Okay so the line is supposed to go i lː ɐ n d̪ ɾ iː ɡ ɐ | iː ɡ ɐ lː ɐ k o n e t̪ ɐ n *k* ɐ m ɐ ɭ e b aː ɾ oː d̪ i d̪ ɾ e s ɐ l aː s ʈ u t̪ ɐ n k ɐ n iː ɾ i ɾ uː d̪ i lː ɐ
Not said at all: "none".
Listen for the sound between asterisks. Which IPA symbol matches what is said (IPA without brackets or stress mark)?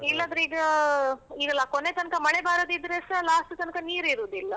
k